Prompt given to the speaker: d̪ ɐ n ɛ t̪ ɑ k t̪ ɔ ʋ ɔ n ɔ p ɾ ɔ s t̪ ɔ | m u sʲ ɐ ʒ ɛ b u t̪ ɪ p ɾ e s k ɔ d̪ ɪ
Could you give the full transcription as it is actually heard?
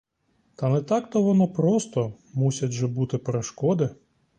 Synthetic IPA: t̪ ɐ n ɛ t̪ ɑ k t̪ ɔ ʋ ɔ n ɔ p ɾ ɔ s t̪ ɔ | m u sʲ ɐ ʒ ɛ b u t̪ ɪ p ɾ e ʃ k ɔ d̪ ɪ